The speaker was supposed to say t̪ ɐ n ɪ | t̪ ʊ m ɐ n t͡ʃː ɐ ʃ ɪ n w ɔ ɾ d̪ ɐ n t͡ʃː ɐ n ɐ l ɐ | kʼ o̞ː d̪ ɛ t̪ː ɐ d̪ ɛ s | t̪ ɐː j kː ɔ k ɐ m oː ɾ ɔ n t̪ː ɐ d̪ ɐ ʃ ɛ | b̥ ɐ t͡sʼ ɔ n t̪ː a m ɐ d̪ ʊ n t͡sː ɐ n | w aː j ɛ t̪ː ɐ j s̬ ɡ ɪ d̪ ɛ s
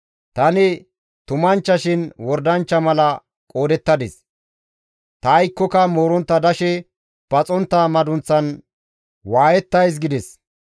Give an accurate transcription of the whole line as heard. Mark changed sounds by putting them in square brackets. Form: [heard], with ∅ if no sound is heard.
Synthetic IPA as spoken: t̪ ɐ n ɪ | t̪ ʊ m ɐ n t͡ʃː ɐ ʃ ɪ n w ɔ ɾ d̪ ɐ n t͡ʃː ɐ [m] ɐ l ɐ | kʼ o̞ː d̪ ɛ t̪ː ɐ d̪ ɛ s | t̪ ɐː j kː ɔ k ɐ m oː ɾ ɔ n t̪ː ɐ d̪ ɐ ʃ ɛ | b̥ ɐ t͡sʼ ɔ n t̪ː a m ɐ d̪ ʊ n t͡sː ɐ n | w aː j ɛ t̪ː ɐ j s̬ ɡ ɪ d̪ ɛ s

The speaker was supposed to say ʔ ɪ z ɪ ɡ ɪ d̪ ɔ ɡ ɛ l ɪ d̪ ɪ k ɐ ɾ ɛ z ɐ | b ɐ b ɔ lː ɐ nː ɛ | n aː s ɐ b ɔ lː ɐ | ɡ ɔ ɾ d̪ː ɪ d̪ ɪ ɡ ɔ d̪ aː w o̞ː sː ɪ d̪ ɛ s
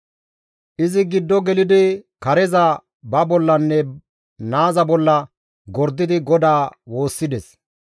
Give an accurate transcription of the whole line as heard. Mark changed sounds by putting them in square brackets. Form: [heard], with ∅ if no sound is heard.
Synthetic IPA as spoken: ʔ ɪ z ɪ ɡ ɪ [d̪ː] ɔ ɡ ɛ l ɪ d̪ ɪ k ɐ ɾ ɛ z ɐ | b ɐ b ɔ lː ɐ nː ɛ | n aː [z] ɐ b ɔ lː ɐ | ɡ ɔ ɾ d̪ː ɪ d̪ ɪ ɡ ɔ d̪ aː w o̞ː sː ɪ d̪ ɛ s

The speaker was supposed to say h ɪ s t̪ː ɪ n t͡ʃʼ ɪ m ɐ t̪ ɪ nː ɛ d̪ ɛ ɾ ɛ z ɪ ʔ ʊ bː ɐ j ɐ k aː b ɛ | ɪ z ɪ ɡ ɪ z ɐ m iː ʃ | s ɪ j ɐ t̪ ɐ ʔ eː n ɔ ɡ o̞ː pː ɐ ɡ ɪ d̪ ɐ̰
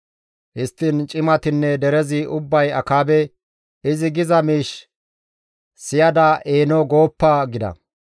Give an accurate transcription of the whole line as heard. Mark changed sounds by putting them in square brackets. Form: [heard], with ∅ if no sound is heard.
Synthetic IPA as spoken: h ɪ s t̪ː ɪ n t͡ʃʼ ɪ m ɐ t̪ ɪ nː ɛ d̪ ɛ ɾ ɛ z ɪ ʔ ʊ bː ɐ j ɐ k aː b ɛ | ɪ z ɪ ɡ ɪ z ɐ m iː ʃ | s ɪ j ɐ [d̪] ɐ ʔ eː n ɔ ɡ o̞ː pː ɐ ɡ ɪ d̪ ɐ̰

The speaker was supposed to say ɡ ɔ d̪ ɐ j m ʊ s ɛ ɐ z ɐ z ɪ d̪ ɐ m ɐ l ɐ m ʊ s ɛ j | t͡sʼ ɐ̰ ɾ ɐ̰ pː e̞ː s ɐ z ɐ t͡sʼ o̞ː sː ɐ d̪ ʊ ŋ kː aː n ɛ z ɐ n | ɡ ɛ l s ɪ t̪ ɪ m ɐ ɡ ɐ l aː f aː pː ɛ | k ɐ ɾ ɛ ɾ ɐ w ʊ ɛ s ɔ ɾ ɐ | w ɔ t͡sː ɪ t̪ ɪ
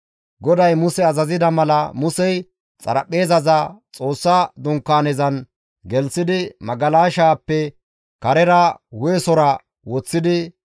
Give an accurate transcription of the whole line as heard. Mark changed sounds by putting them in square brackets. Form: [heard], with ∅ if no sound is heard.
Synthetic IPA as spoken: ɡ ɔ d̪ ɐ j m ʊ s ɛ ɐ z ɐ z ɪ d̪ ɐ m ɐ l ɐ m ʊ s ɛ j | t͡sʼ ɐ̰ ɾ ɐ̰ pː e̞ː [z] ɐ z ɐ t͡sʼ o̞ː sː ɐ d̪ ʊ ŋ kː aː n ɛ z ɐ n | ɡ ɛ l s ɪ [d̪] ɪ m ɐ ɡ ɐ l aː [ʃ] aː pː ɛ | k ɐ ɾ ɛ ɾ ɐ w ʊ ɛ s ɔ ɾ ɐ | w ɔ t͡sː ɪ [d̪] ɪ

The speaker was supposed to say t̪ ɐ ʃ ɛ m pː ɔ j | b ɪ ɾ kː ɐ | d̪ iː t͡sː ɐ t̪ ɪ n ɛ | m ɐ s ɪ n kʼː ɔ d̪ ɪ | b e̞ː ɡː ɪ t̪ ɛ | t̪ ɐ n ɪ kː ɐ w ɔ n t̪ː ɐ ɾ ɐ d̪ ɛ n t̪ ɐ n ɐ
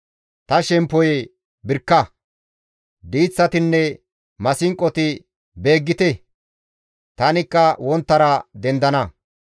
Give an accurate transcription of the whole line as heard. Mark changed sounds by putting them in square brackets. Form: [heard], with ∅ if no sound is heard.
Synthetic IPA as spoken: t̪ ɐ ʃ ɛ m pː ɔ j | b ɪ ɾ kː ɐ | d̪ iː t͡sː ɐ t̪ ɪ [nː] ɛ | m ɐ s ɪ [ŋ] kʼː ɔ [t̪] ɪ | b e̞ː ɡː ɪ t̪ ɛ | t̪ ɐ n ɪ kː ɐ w ɔ n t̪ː ɐ ɾ ɐ d̪ ɛ n [d̪] ɐ n ɐ

